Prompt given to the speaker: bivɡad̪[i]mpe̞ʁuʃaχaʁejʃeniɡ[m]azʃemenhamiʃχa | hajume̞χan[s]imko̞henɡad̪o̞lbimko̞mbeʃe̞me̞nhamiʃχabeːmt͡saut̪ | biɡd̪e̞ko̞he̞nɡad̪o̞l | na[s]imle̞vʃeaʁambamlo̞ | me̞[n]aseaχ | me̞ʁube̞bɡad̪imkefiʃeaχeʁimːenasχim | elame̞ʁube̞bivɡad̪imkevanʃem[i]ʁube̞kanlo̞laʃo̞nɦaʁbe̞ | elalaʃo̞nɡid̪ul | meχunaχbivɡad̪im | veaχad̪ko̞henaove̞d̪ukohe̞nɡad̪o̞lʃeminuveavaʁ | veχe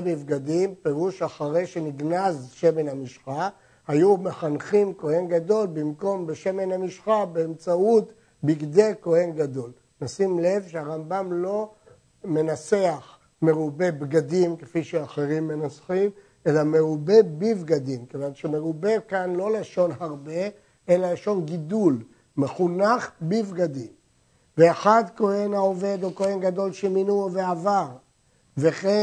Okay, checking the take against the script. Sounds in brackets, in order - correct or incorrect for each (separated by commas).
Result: correct, incorrect, incorrect, correct, correct, incorrect